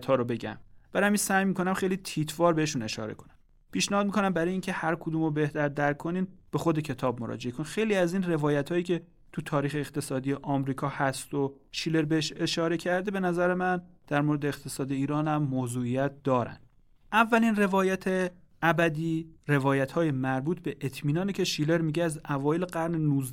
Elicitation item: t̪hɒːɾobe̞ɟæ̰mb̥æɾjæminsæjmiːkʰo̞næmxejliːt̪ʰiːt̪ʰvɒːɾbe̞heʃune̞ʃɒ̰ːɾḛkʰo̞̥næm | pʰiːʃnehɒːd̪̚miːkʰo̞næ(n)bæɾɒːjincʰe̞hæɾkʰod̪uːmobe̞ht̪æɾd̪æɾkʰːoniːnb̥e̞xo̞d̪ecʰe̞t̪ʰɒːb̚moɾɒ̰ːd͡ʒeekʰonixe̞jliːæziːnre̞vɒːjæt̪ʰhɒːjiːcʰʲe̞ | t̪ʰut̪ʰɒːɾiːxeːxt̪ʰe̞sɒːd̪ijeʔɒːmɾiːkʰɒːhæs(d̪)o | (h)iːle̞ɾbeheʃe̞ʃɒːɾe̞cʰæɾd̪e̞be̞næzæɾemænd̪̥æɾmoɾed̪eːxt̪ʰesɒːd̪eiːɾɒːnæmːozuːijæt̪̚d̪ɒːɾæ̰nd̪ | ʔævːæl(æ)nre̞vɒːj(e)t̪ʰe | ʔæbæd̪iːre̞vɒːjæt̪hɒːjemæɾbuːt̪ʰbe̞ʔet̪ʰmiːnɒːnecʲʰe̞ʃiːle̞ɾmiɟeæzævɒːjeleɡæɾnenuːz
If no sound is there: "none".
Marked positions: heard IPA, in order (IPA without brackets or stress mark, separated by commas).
m, t̪, ʃ, i, æ